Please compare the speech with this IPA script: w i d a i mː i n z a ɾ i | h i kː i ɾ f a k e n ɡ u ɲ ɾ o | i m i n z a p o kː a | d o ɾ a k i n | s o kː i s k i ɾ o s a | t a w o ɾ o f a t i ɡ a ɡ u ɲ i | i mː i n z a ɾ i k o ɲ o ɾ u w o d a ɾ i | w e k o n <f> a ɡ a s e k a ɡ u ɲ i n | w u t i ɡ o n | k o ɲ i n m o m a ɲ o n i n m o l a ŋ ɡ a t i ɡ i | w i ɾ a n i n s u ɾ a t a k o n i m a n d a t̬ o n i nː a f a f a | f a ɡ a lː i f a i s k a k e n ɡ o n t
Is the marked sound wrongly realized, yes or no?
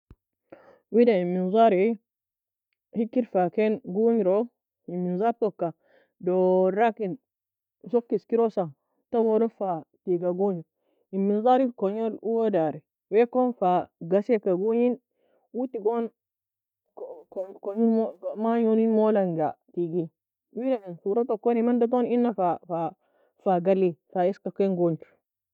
no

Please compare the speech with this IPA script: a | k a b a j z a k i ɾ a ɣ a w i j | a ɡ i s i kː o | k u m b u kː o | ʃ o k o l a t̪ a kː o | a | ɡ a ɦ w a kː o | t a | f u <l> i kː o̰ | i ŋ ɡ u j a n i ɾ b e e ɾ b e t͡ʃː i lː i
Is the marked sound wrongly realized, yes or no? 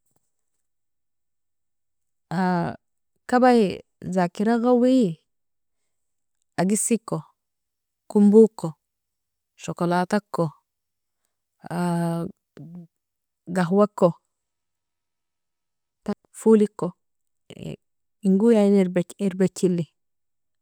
no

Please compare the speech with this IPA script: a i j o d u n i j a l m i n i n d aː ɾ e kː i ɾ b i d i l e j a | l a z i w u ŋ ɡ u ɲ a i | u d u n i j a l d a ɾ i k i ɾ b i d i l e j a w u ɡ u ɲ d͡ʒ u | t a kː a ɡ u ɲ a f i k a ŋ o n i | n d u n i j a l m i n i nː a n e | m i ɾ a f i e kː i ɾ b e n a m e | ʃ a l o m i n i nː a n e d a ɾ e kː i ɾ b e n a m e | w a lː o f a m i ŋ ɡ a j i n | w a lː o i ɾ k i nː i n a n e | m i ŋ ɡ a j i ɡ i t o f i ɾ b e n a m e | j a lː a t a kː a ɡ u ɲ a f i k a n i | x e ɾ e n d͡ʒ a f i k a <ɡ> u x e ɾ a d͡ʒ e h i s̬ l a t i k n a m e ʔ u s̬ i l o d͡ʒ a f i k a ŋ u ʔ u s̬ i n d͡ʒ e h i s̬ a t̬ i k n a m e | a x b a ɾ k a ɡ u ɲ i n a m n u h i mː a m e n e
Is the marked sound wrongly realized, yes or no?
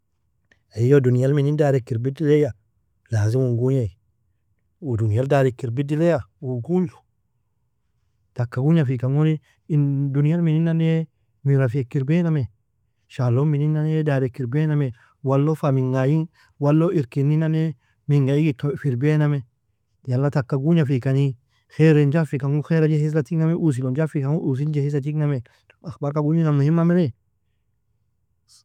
yes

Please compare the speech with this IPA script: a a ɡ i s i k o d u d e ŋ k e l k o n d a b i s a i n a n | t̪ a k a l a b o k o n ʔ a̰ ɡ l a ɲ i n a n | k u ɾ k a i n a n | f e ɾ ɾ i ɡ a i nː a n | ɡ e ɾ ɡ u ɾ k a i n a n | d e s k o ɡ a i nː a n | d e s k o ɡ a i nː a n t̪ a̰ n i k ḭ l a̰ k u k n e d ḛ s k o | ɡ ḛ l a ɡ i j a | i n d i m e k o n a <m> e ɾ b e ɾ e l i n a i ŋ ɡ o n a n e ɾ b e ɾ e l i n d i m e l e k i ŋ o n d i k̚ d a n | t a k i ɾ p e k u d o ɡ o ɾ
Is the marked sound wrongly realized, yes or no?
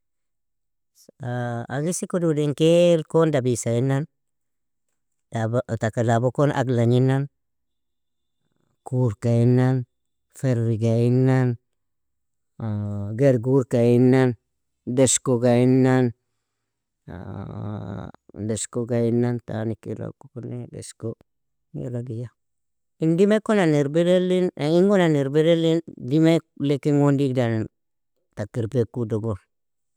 yes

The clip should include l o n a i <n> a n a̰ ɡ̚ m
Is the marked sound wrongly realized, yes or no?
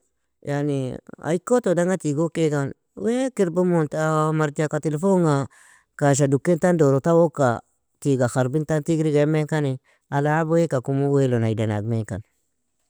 yes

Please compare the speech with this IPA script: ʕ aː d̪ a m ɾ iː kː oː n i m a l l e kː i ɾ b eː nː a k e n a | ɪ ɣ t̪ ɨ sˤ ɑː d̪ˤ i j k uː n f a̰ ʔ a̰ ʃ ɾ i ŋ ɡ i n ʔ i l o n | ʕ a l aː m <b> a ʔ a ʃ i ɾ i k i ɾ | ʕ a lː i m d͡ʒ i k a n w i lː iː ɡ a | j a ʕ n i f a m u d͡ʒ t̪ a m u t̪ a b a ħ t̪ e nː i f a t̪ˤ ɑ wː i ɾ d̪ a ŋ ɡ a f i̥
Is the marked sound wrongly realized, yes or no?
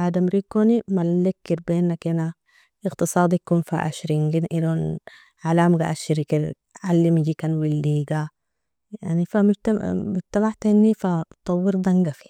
yes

